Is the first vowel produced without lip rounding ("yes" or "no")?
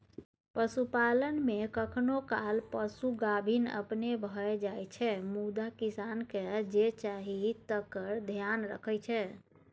yes